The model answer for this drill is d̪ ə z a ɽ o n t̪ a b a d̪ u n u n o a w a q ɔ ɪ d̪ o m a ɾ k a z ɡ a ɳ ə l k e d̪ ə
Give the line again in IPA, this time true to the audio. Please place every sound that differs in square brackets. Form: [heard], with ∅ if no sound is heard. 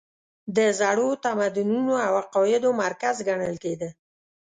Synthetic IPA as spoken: d̪ ə z a ɽ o [∅] t̪ a [m] a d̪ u n u n o a w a q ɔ ɪ d̪ o m a ɾ k a z ɡ a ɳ ə l k e d̪ ə

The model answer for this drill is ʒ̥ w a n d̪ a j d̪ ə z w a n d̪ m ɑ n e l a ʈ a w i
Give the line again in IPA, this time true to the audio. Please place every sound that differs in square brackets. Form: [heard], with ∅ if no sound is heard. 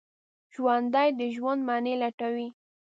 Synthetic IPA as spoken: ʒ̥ w a n d̪ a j d̪ ə [ʒ] w a n d̪ m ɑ n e l a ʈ a w i

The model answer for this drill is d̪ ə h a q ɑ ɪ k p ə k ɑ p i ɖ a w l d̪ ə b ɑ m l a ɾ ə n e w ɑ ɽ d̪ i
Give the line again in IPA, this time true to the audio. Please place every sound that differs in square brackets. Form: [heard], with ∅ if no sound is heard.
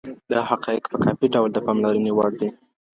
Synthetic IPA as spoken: d̪ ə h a q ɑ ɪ k p ə k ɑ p i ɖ a w l d̪ ə [p] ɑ m l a ɾ ə n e w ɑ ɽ d̪ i

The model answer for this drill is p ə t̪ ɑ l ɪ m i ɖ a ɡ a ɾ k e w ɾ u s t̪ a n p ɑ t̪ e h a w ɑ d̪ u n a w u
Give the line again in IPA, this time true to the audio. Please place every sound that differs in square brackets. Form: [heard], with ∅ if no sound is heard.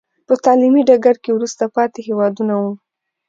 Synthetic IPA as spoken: p ə t̪ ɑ l [i] m i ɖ a ɡ a ɾ k e w ɾ u s t̪ a [∅] p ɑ t̪ e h [e] w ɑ d̪ u n a w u

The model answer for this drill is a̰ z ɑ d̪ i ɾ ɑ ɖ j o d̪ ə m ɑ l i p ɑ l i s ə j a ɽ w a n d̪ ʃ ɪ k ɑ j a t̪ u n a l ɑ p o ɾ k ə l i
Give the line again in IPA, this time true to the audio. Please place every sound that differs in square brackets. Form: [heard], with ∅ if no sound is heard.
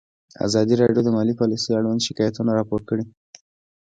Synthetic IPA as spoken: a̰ z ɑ d̪ i ɾ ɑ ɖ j o d̪ ə m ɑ l i p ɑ l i s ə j a ɽ w a n d̪ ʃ ɪ k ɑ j a t̪ u n a [ɾ] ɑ p o ɾ k ə [ɽ] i

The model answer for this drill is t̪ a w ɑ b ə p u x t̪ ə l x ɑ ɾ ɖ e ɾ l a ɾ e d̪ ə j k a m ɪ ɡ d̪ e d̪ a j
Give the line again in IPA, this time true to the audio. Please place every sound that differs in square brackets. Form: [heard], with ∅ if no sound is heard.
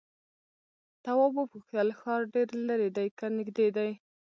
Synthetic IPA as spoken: t̪ a w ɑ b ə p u x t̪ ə l x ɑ ɾ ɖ e ɾ l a ɾ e d̪ [a] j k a [n] ɪ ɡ d̪ e d̪ a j

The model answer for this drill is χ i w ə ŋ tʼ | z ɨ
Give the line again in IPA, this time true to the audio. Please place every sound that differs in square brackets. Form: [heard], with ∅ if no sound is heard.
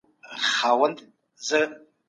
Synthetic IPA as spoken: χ [a] w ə [n] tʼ | z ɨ

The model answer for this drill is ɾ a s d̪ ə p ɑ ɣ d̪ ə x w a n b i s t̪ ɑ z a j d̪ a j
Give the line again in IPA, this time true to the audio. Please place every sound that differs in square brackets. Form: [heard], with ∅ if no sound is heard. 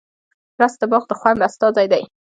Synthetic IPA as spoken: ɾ a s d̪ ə [b] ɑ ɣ d̪ ə x w a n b [a] s t̪ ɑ z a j d̪ a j

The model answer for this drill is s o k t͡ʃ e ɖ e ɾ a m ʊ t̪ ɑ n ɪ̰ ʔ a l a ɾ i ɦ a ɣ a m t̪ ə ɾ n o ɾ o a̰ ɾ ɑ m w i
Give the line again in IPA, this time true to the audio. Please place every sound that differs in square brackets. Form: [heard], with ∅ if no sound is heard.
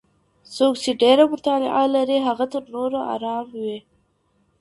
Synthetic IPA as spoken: s o k t͡ʃ e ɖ e ɾ a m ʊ t̪ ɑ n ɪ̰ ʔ a l a ɾ i ɦ a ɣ a [∅] t̪ ə ɾ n o ɾ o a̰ ɾ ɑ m w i

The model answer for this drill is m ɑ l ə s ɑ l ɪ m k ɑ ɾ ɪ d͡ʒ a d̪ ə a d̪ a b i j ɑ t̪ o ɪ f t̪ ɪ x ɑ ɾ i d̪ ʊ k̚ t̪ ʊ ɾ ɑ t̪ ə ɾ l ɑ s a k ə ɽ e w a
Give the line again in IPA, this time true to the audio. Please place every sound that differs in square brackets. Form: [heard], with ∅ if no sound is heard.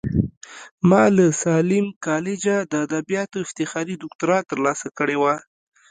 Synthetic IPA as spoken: m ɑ l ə s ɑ l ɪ m k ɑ [l] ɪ d͡ʒ a d̪ ə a d̪ a b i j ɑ t̪ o ɪ f t̪ ɪ x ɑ ɾ i d̪ ʊ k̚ t̪ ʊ ɾ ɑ t̪ ə ɾ l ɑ s a k ə ɽ e w a

